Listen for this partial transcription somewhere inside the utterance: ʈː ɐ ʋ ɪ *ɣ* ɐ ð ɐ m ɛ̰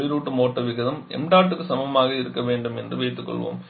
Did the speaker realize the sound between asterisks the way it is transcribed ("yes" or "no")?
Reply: yes